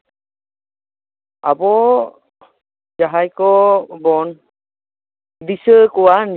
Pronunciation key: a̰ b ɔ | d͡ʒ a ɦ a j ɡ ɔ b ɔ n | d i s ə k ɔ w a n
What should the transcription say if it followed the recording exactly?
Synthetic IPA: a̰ b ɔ | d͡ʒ a ɦ a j k ɔ b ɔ n | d i s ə k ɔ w a n

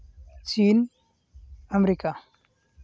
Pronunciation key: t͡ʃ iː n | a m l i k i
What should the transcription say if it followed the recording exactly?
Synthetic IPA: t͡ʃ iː n | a m ɾ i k a

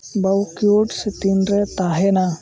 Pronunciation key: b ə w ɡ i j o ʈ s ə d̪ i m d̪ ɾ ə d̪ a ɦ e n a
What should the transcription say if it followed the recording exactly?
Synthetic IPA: b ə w k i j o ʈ s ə t̪ i n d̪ ɾ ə t̪ a ɦ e n a

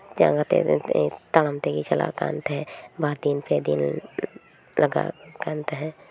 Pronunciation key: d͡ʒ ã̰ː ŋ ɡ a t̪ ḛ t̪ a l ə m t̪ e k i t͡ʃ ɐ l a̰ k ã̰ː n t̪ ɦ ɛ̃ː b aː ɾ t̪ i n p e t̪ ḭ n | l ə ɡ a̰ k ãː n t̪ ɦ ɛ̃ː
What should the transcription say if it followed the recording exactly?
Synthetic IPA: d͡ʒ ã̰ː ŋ ɡ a t̪ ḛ t̪ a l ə m t̪ e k i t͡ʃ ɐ l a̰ k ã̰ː n t̪ ɦ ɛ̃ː b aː ɾ d̪ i n p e d̪ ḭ n | l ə ɡ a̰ k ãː n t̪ ɦ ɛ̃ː

